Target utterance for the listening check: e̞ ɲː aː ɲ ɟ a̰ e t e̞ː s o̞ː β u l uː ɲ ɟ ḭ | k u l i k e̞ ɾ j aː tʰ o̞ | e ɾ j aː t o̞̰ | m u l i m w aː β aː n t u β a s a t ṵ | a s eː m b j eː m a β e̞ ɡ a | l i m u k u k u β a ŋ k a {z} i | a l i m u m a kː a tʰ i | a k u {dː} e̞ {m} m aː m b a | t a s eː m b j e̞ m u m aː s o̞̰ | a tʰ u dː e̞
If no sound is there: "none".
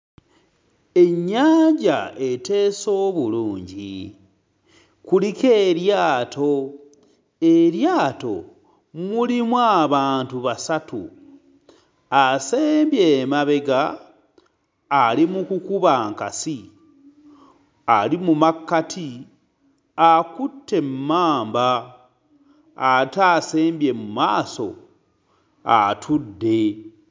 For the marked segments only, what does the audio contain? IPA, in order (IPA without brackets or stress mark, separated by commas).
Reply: s, tː, m